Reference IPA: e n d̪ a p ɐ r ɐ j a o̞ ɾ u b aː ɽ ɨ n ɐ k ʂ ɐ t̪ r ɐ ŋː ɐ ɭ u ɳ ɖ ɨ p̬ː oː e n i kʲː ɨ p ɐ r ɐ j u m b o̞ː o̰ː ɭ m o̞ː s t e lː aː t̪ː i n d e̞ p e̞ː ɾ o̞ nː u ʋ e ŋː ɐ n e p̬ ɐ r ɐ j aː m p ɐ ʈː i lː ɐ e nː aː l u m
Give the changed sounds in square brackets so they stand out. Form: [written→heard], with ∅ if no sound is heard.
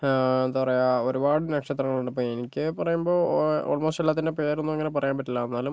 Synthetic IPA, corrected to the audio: e n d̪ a p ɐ r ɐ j a o̞ ɾ u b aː ɽ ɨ n ɐ k ʂ ɐ t̪ r ɐ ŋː ɐ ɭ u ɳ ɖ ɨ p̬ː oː e n i kʲː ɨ p ɐ r ɐ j u m b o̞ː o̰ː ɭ m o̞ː s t e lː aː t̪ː i n d e̞ p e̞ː ɾ o̞ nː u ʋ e ŋː ɐ n e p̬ ɐ r ɐ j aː m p ɐ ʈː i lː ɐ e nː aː l u m